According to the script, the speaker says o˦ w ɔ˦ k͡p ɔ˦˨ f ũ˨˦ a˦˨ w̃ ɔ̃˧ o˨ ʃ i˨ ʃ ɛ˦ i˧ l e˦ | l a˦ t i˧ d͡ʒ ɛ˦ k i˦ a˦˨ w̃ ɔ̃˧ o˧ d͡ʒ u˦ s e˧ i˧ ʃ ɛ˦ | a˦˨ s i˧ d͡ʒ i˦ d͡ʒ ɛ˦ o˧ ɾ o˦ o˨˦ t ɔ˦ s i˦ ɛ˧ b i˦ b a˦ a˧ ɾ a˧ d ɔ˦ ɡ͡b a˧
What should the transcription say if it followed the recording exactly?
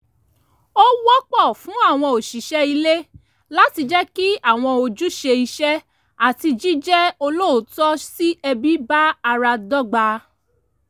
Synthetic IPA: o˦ w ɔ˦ k͡p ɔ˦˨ f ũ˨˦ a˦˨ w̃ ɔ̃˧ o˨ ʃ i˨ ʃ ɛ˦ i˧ l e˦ | l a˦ t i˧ d͡ʒ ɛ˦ k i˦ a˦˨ w̃ ɔ̃˧ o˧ d͡ʒ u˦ ʃ e˧ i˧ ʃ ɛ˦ | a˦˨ t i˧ d͡ʒ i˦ d͡ʒ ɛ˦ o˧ l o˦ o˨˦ t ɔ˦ s i˦ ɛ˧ b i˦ b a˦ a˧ ɾ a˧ d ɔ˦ ɡ͡b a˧

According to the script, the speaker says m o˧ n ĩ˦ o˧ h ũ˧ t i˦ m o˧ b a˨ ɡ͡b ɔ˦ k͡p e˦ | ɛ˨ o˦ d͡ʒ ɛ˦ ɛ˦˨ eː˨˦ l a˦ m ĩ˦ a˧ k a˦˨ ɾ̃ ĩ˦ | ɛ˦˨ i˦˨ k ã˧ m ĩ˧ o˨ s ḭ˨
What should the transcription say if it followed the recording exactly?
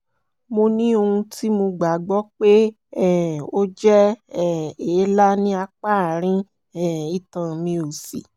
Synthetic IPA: m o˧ n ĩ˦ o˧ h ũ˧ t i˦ m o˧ ɡ͡b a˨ ɡ͡b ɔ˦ k͡p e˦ | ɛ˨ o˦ d͡ʒ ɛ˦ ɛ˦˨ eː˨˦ l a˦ n ĩ˦ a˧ k͡p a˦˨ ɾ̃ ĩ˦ | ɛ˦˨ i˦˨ t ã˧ m ĩ˧ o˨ s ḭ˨

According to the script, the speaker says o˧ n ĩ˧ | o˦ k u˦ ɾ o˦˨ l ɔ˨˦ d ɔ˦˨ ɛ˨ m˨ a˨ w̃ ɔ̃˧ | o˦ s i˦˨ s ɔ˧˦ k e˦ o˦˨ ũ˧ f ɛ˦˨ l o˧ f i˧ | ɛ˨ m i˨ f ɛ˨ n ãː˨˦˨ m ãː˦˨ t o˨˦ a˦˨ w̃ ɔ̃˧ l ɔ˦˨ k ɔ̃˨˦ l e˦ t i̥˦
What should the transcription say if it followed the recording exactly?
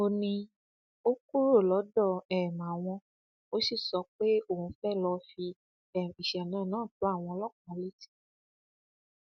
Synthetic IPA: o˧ n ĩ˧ | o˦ k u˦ ɾ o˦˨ l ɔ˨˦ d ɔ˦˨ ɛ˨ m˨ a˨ w̃ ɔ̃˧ | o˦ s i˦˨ s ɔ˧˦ k͡p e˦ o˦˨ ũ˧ f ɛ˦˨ l ɔ˧ f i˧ | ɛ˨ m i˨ ʃ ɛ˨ n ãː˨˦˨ n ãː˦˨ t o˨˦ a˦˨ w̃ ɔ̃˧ l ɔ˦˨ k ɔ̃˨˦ l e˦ t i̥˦

